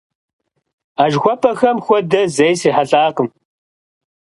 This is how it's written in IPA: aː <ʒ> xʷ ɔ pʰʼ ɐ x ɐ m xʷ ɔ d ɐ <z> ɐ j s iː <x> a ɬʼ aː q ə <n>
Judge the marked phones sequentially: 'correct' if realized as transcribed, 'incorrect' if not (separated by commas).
correct, correct, incorrect, incorrect